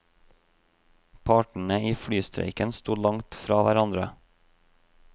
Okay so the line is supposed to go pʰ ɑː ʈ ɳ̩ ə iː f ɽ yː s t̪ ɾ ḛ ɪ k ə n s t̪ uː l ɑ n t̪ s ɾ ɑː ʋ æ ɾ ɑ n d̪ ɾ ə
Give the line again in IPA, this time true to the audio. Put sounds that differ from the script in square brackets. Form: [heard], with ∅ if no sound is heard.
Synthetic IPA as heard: pʰ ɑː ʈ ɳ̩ ə iː f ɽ yː s t̪ ɾ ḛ ɪ k ə n s t̪ uː l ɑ [ŋ] t̪ [f] ɾ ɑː ʋ æ ɾ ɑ n d̪ ɾ ə